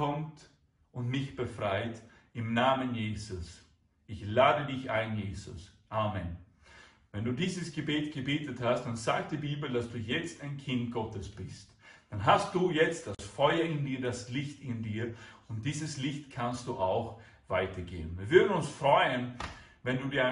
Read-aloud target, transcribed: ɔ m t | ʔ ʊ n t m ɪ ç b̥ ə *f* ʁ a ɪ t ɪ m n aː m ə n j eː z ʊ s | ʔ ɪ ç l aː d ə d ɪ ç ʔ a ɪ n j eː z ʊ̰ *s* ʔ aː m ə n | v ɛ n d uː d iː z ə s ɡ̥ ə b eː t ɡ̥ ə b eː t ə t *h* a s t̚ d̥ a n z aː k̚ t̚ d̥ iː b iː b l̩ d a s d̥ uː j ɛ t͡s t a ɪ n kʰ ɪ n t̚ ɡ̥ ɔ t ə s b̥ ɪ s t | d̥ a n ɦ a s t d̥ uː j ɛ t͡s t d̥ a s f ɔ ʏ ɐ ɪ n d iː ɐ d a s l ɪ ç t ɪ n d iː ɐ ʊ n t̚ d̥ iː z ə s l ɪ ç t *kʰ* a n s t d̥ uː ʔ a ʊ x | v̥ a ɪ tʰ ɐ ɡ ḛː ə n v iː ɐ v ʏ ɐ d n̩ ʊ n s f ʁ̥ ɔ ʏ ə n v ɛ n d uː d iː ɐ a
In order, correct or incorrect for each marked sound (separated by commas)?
correct, correct, correct, correct